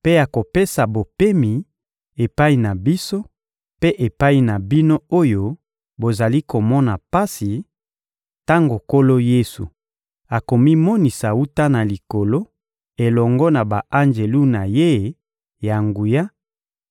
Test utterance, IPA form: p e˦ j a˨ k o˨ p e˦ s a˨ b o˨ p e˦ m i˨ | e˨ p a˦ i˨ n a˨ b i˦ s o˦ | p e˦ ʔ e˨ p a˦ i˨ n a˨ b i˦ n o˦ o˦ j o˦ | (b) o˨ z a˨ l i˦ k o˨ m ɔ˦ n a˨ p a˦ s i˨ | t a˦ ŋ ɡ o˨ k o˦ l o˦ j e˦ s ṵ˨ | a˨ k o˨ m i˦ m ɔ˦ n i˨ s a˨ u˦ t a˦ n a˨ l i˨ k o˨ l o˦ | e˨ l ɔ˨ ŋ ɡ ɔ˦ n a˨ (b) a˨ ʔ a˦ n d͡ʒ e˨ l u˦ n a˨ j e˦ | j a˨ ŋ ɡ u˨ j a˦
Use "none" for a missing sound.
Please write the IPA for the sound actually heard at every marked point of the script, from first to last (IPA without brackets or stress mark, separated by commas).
b, b